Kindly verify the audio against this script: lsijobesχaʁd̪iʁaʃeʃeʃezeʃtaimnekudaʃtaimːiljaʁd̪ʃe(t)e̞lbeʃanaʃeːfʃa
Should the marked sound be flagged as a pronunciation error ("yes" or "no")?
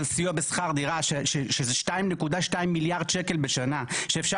yes